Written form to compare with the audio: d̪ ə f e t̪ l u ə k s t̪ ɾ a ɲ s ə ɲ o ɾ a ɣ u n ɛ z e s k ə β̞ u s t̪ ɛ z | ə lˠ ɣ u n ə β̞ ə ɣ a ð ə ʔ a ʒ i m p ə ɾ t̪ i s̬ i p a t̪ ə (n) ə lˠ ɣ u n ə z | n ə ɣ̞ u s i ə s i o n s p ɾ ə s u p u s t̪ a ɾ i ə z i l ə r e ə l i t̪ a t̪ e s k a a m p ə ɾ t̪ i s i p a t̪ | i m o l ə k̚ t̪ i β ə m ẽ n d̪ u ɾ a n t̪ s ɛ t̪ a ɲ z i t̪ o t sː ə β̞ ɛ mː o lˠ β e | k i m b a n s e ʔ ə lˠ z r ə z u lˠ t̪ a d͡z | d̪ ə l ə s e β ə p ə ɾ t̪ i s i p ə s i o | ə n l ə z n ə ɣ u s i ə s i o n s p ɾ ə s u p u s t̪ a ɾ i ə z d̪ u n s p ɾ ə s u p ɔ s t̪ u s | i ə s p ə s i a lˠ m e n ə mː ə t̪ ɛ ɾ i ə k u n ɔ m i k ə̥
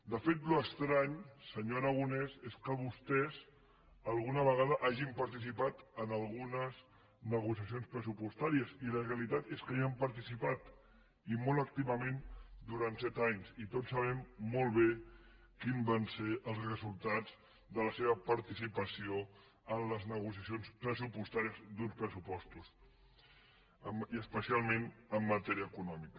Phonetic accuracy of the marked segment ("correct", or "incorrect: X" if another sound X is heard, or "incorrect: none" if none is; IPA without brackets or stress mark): correct